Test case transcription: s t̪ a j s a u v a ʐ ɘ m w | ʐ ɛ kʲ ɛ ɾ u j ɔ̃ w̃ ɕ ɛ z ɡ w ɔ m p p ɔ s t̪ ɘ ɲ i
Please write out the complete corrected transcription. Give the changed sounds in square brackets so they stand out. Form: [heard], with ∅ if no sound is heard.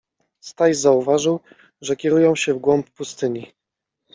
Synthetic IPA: s t̪ a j [z] a u v a ʐ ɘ [∅] w | ʐ ɛ kʲ ɛ ɾ u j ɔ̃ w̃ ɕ ɛ [v] ɡ w ɔ m p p [u] s t̪ ɘ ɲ i